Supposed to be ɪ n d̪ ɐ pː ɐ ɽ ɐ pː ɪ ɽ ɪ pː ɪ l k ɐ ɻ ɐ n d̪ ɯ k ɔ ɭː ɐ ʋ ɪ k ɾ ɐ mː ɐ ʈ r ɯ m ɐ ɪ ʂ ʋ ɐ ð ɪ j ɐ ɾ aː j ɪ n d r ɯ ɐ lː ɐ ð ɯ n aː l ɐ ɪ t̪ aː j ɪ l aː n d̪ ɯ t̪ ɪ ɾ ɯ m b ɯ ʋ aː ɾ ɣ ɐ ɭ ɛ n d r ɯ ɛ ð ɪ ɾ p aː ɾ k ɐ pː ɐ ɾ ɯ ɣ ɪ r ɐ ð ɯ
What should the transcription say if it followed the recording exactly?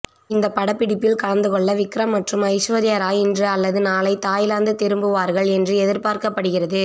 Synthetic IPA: ɪ n d̪ ɐ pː ɐ ɽ ɐ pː ɪ ɽ ɪ pː ɪ l k ɐ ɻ ɐ n d̪ ɯ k ɔ ɭː ɐ ʋ ɪ k ɾ ɐ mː ɐ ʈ r ɯ m ɐ ɪ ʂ ʋ ɐ ð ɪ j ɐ ɾ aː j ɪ n d r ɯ ɐ lː ɐ ð ɯ n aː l ɐ ɪ t̪ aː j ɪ l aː n d̪ ɯ t̪ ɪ ɾ ɯ m b ɯ ʋ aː ɾ ɣ ɐ ɭ ɛ n d r ɯ ɛ ð ɪ ɾ p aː ɾ k ɐ pː ɐ ɽ ɯ ɣ ɪ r ɐ ð ɯ